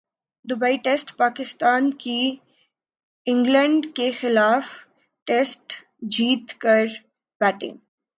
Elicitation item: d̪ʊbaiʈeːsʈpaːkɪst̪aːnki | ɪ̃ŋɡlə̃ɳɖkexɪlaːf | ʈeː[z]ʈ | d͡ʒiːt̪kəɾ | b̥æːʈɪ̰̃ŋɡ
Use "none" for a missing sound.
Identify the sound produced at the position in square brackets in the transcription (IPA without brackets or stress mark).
s